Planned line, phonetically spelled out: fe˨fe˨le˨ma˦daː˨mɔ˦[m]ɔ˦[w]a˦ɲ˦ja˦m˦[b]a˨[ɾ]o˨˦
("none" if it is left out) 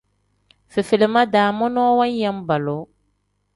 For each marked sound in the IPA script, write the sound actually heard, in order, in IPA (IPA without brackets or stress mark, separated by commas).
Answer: n, w, b, l